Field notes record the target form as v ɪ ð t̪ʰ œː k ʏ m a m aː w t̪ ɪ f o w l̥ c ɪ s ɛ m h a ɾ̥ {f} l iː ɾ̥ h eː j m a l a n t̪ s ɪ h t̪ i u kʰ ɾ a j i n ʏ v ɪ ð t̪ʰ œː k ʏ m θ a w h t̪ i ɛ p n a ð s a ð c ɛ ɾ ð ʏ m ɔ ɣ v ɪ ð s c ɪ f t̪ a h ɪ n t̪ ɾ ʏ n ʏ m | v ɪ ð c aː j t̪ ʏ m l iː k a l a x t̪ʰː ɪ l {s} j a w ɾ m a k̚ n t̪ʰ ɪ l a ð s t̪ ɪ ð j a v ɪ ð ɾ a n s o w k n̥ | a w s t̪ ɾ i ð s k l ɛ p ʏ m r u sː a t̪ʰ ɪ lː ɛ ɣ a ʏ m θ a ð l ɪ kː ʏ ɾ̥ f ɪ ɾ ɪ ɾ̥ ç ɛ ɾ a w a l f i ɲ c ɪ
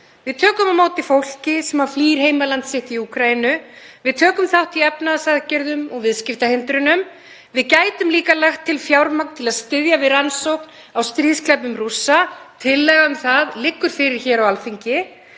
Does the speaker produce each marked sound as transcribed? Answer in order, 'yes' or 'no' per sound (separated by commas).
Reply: yes, no